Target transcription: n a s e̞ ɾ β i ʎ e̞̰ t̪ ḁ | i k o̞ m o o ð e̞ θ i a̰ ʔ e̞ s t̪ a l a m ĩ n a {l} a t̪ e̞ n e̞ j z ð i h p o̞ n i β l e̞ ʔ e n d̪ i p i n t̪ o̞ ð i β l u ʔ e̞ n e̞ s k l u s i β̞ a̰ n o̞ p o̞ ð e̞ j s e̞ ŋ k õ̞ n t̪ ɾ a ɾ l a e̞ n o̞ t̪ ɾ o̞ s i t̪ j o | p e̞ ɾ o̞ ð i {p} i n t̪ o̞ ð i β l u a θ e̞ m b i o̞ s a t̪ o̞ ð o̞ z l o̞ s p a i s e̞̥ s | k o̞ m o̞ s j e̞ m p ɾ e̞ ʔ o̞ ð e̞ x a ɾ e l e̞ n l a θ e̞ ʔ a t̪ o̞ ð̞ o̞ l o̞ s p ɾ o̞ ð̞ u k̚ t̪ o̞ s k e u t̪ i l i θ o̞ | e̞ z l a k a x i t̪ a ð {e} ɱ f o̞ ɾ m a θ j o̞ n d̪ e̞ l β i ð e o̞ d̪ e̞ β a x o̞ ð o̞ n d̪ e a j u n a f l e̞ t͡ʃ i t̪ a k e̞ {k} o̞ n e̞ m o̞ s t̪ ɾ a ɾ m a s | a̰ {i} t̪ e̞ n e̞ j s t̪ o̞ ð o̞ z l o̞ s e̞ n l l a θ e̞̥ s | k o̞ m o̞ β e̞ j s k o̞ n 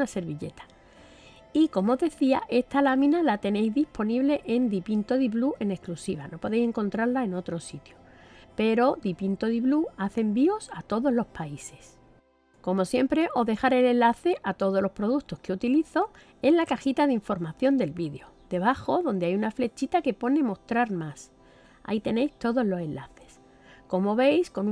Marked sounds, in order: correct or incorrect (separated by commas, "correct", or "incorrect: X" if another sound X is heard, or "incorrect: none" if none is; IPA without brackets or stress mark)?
correct, correct, incorrect: i, incorrect: p, correct